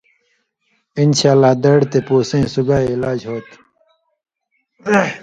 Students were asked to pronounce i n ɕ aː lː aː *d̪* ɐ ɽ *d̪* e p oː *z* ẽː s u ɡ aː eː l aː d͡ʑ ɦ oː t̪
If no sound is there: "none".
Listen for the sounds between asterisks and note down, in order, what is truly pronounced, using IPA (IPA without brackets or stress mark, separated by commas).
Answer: d̪, t̪, s